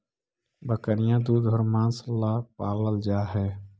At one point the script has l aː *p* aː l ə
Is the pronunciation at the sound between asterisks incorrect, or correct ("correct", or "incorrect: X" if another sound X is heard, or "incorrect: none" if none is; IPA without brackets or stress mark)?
correct